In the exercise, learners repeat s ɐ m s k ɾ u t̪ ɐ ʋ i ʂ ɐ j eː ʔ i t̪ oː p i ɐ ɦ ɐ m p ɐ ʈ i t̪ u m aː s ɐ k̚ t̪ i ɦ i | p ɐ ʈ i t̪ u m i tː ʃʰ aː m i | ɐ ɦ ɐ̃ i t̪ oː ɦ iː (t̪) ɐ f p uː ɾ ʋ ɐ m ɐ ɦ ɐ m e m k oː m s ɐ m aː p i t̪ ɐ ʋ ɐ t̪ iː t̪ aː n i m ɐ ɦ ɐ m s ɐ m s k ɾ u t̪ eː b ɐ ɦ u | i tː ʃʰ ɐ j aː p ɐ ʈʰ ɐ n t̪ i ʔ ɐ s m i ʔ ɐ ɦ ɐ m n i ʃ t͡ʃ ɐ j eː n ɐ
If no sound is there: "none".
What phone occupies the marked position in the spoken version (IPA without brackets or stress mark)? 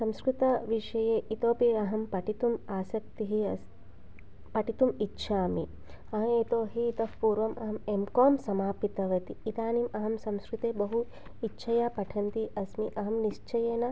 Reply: t̪